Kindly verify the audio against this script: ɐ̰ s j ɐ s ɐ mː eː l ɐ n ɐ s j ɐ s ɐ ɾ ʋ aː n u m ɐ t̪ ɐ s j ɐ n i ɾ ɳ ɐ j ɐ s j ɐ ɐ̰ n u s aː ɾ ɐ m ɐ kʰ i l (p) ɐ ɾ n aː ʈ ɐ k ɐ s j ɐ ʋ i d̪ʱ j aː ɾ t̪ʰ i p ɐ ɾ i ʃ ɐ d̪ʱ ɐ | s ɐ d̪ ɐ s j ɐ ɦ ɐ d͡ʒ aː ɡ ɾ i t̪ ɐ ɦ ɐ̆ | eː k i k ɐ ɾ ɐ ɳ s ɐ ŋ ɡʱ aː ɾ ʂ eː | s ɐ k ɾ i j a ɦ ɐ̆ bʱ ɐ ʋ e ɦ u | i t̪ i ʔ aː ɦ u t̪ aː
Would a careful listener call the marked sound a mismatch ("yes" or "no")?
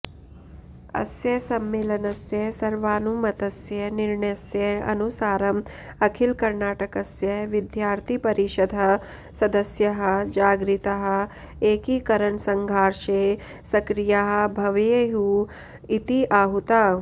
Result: yes